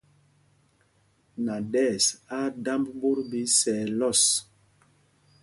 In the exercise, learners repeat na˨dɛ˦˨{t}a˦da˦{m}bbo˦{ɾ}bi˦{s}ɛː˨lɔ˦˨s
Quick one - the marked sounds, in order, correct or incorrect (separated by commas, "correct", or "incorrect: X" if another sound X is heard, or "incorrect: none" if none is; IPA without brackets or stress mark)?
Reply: incorrect: s, correct, correct, correct